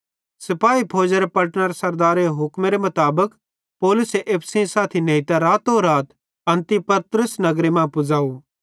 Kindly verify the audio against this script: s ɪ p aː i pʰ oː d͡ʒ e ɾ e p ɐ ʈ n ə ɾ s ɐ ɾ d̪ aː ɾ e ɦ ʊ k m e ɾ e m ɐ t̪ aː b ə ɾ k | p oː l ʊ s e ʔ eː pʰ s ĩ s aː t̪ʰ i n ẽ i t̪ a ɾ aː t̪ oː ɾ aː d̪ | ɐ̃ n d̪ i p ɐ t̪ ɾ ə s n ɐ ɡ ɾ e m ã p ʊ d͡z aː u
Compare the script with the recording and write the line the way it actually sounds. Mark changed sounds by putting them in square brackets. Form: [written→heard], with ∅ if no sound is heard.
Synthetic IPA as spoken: s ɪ p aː i pʰ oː d͡ʒ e ɾ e p ɐ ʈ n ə ɾ s ɐ ɾ d̪ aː ɾ e ɦ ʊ k m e ɾ e m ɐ t̪ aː b ə [ɾ→∅] k | p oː l ʊ s e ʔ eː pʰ s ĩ s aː t̪ʰ i n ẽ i t̪ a ɾ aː t̪ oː ɾ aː [d̪→t̪] | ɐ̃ n [d̪→t̪] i p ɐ t̪ ɾ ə s n ɐ ɡ ɾ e m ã p ʊ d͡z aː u

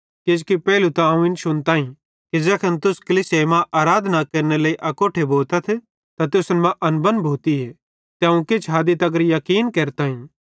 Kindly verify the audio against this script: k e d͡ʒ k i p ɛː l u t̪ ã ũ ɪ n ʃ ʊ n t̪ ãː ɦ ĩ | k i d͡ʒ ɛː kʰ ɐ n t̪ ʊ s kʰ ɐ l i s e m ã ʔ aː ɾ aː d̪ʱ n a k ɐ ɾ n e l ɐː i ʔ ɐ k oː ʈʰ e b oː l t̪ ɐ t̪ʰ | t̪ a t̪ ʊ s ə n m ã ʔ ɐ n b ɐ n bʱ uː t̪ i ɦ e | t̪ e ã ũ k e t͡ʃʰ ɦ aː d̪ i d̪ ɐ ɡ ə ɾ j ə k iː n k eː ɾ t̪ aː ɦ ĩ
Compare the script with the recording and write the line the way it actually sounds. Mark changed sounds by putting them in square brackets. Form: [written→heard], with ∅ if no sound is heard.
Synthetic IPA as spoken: k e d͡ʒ k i p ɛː l u t̪ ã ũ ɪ n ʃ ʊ n t̪ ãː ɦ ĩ | k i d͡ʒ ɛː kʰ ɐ n t̪ ʊ s [kʰ→k] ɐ l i s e m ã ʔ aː ɾ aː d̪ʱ n a k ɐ ɾ n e l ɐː i ʔ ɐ k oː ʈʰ e b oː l t̪ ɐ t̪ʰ | t̪ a t̪ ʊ s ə n m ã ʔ ɐ n b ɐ n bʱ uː t̪ i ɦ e | t̪ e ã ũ k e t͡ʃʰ ɦ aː d̪ i [d̪→t̪] ɐ ɡ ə ɾ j [ə→ɐ] k iː n k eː ɾ t̪ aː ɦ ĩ

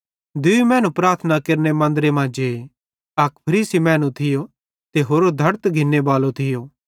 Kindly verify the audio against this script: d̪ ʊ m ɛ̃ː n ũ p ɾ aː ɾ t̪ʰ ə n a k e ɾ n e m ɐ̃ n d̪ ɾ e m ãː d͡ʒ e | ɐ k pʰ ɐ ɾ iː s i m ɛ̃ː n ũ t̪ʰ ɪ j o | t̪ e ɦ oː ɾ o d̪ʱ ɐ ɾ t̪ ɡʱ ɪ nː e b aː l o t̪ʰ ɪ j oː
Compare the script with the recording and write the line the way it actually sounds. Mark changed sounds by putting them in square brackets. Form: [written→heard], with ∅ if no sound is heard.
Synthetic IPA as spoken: d̪ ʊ m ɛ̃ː n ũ p ɾ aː ɾ t̪ʰ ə n a k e ɾ n e m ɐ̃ n d̪ ɾ e m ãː d͡ʒ e | ɐ k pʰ ɐ ɾ iː s i m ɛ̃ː n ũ t̪ʰ ɪ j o | t̪ e ɦ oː ɾ o d̪ʱ ɐ ɾ t̪ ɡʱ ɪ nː e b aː l o t̪ʰ ɪ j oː

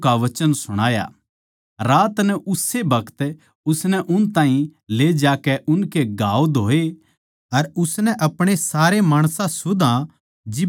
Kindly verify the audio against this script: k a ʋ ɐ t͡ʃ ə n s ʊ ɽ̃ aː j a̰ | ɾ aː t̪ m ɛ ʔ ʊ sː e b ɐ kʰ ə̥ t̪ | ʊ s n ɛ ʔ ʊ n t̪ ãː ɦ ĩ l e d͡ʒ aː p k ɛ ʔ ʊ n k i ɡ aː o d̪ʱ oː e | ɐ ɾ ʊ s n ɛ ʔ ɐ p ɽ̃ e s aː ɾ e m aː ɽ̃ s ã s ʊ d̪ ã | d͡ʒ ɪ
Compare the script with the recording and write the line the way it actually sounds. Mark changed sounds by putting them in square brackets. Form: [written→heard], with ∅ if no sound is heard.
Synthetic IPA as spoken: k a ʋ ɐ t͡ʃ ə n s ʊ ɽ̃ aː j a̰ | ɾ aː t̪ [m→n] ɛ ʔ ʊ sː e b ɐ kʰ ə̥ t̪ | ʊ s n ɛ ʔ ʊ n t̪ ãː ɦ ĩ l e d͡ʒ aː [p→∅] k ɛ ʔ ʊ n k [i→e] ɡ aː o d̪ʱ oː e | ɐ ɾ ʊ s n ɛ ʔ ɐ p ɽ̃ e s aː ɾ e m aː ɽ̃ s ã s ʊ d̪ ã | d͡ʒ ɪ

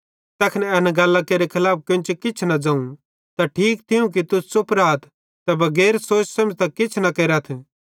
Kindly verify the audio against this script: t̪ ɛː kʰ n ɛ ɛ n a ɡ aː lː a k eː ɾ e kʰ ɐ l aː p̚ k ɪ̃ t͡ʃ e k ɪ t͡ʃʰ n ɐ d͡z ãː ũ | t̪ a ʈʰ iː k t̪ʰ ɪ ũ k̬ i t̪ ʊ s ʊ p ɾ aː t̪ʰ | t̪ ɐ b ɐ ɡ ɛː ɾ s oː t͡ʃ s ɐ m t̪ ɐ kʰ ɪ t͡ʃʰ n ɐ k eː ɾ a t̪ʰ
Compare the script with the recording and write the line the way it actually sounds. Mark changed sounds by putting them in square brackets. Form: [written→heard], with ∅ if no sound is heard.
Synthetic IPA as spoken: t̪ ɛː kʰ n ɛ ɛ n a ɡ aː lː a k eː ɾ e kʰ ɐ l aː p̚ k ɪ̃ t͡ʃ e k ɪ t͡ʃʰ n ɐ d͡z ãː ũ | t̪ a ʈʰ iː k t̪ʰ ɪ ũ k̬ i t̪ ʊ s ʊ p ɾ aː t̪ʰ | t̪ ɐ b ɐ ɡ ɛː ɾ s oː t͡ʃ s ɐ m t̪ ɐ [kʰ→k] ɪ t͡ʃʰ n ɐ k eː ɾ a t̪ʰ

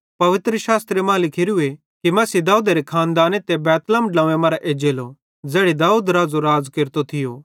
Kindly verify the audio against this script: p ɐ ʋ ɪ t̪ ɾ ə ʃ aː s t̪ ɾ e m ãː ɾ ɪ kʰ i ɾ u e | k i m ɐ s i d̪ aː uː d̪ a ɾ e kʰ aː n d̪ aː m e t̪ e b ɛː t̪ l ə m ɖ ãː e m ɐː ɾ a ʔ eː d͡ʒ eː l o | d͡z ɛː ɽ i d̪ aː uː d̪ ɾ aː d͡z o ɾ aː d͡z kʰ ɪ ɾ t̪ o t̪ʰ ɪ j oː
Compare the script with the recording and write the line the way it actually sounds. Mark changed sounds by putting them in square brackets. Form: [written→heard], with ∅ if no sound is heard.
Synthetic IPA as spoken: p ɐ ʋ ɪ t̪ ɾ ə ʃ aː s t̪ ɾ e m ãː [ɾ→l] ɪ kʰ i ɾ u e | k i m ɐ s i d̪ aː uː d̪ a ɾ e kʰ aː n d̪ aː [m→n] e t̪ e b ɛː t̪ l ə m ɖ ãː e m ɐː ɾ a ʔ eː d͡ʒ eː l o | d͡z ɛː ɽ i d̪ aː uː d̪ ɾ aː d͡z o ɾ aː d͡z [kʰ→k] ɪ ɾ t̪ o t̪ʰ ɪ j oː

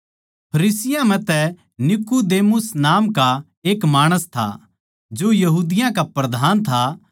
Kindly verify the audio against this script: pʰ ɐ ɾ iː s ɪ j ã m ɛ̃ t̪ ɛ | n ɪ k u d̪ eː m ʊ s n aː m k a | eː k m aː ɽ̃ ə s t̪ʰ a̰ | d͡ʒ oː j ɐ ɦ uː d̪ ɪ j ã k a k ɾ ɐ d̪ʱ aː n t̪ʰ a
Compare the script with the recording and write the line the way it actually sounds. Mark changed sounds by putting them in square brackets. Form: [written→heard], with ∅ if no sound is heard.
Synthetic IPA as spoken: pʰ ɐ ɾ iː s ɪ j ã m ɛ̃ t̪ ɛ | n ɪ k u d̪ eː m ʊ s n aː m k a | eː k m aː ɽ̃ ə s t̪ʰ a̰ | d͡ʒ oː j ɐ ɦ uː d̪ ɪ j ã k a [k→p] ɾ ɐ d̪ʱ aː n t̪ʰ a

